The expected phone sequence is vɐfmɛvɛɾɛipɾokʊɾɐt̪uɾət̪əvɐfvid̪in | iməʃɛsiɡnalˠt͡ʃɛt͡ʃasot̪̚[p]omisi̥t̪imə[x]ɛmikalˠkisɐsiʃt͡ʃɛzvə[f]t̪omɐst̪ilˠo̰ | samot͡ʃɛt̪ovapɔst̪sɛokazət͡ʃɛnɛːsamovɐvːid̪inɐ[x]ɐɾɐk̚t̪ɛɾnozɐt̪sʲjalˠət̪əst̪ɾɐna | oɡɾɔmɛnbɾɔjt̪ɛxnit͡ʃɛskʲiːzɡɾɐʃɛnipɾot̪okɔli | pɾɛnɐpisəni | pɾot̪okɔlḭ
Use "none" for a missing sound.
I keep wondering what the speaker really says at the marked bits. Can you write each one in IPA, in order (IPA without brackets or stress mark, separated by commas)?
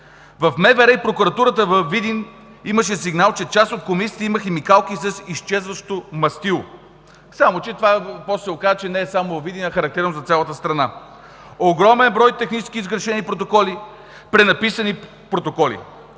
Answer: k, x, ʃ, x